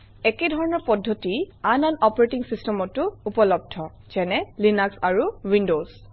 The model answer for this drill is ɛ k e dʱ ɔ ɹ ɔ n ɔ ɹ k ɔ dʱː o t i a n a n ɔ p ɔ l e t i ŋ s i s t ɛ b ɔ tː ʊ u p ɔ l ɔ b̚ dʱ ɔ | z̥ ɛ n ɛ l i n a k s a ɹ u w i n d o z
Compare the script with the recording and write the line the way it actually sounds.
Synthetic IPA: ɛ k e dʱ ɔ ɹ ɔ n ɔ ɹ p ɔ dʱː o t i a n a n ɔ p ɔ ɹ e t i ŋ s i s t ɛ m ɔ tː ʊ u p ɔ l ɔ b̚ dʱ ɔ | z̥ ɛ n ɛ l i n a k s a ɹ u w i n d o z